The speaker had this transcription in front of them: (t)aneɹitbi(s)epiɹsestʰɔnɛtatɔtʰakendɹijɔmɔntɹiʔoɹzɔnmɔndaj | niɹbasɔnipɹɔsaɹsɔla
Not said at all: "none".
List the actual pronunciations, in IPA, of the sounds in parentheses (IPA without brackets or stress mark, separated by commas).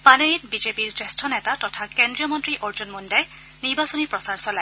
p, z